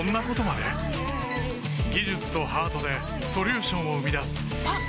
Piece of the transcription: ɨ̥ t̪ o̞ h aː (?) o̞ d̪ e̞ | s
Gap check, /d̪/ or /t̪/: t̪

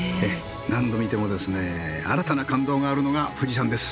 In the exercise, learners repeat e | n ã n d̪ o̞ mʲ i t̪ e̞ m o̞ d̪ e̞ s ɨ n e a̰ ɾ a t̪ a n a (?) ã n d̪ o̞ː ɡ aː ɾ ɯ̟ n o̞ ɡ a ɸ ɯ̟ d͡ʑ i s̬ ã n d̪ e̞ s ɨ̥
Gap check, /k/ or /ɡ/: k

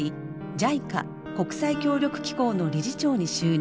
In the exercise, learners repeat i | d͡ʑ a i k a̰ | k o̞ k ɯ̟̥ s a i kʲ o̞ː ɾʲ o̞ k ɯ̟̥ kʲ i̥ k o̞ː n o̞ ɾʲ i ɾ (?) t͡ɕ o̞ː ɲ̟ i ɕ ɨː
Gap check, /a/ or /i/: i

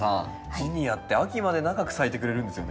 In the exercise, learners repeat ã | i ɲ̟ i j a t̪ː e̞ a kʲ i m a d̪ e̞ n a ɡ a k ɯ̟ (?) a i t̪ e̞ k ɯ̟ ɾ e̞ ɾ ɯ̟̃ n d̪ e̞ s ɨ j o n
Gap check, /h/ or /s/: s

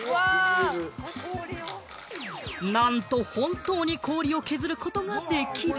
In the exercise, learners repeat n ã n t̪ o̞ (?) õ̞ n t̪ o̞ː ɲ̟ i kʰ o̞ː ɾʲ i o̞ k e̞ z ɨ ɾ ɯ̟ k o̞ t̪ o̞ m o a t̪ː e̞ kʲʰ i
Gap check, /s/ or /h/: h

